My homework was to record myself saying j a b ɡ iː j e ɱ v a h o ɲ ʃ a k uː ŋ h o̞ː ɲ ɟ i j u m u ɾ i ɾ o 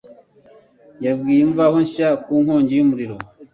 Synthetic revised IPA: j a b ɡ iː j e ɱ v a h o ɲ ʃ a k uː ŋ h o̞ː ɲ ɟ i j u m u ɾ i ɾ o

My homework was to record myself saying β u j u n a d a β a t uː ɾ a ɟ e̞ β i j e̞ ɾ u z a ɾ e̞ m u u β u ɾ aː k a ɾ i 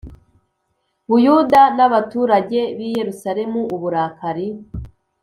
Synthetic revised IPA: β u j u d a n a β a t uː ɾ a ɟ e̞ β i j e̞ ɾ u s a ɾ e̞ m u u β u ɾ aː k a ɾ i

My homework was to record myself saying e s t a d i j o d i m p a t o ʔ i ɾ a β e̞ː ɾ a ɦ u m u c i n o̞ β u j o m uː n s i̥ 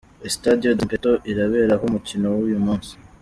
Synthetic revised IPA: e s t a d i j o d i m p e t o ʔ i ɾ a β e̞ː ɾ a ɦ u m u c i n o̞ w u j u m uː n s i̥

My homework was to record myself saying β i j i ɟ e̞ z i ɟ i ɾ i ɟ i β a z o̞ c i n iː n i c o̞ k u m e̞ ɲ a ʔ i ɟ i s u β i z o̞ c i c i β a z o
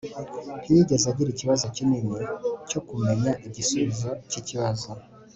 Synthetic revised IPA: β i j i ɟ e̞ z a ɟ i ɾ i c i β a z o̞ c i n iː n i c o̞ k u m e̞ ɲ a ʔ i ɟ i s u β i z o̞ c i c i β a z o

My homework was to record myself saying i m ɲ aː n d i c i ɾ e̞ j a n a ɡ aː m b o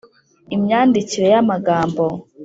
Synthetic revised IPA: i m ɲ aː n d i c i ɾ e̞ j a m a ɡ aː m b o

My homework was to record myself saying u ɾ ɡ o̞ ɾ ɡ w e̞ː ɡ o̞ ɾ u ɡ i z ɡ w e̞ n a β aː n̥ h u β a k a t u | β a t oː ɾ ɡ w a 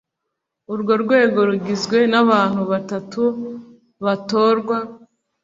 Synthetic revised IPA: u ɾ ɡ o̞ ɾ ɡ w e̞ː ɡ o̞ ɾ u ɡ i z ɡ w e̞ n a β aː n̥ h u β a t a t u | β a t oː ɾ ɡ w a

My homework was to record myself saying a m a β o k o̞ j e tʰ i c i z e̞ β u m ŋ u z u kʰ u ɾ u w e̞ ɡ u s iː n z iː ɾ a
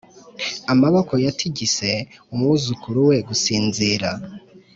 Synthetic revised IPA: a m a β o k o̞ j a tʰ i ɟ i s e̞ u m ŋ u z u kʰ u ɾ u w e̞ ɡ u s iː n z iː ɾ a

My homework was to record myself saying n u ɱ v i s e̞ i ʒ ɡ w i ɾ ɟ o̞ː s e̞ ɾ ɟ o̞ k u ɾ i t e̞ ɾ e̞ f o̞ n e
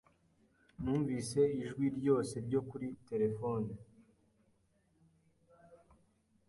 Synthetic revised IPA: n uː ɱ v i s e̞ i ʒ ɡ w i ɾ ɟ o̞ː s e̞ ɾ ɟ o̞ k u ɾ i t e̞ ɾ e̞ f o̞ n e

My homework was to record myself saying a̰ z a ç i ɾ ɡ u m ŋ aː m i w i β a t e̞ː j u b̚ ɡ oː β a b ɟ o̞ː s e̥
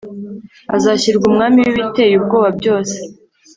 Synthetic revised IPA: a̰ z a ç i ɾ ɡ u m ŋ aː m i w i β i t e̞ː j u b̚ ɡ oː β a b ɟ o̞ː s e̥

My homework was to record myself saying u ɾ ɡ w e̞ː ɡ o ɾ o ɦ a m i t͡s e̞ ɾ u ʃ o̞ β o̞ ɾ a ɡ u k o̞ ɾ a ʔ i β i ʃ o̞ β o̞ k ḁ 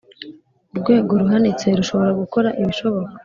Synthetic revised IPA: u ɾ ɡ w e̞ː ɡ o ɾ u ɦ a n i t͡s e̞ ɾ u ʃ o̞ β o̞ ɾ a ɡ u k o̞ ɾ a ʔ i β i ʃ o̞ β o̞ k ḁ

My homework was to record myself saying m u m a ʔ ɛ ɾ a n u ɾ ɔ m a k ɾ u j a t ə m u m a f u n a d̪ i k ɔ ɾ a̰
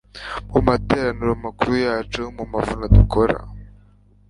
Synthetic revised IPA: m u m a t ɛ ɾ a n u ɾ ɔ m a k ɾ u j a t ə m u m a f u n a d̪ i k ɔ ɾ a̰

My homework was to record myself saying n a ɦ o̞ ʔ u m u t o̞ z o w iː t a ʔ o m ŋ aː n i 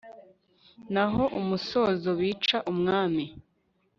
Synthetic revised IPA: n a ɦ o̞ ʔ u m u s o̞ z o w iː t͡ʃ a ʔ u m ŋ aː m i

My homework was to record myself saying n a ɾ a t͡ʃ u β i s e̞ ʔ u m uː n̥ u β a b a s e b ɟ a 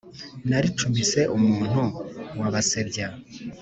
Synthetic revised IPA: n a ɾ i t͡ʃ u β i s e̞ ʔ u m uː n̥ u w a β a s e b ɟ a

